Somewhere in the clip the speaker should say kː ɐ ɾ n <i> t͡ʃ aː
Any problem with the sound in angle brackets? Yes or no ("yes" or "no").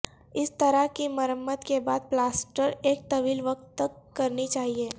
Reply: no